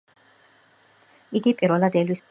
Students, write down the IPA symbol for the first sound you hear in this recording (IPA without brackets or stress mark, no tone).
i